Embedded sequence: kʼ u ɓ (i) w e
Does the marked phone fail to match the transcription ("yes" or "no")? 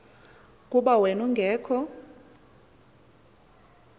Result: yes